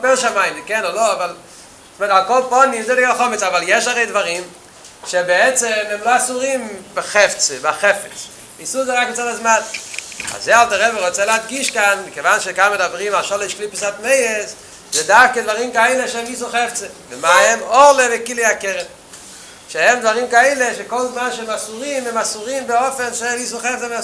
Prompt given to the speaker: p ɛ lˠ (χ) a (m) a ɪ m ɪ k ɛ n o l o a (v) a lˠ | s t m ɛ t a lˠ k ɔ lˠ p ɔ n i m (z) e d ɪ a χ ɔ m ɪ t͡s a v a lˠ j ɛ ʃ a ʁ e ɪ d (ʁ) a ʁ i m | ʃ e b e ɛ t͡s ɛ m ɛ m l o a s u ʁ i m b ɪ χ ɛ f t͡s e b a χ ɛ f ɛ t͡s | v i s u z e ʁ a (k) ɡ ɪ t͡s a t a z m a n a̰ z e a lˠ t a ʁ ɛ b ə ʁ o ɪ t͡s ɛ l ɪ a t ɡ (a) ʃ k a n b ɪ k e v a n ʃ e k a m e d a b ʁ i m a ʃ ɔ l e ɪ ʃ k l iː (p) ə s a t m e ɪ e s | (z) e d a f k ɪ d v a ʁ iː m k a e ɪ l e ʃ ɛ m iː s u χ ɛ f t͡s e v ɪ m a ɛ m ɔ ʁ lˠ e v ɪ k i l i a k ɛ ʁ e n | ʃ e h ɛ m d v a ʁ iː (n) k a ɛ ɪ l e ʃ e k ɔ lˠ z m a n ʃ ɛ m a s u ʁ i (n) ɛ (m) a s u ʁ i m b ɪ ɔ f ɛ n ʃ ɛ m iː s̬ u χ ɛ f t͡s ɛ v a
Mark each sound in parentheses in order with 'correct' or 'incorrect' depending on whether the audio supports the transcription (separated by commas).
incorrect, correct, correct, correct, incorrect, correct, incorrect, correct, correct, incorrect, incorrect, correct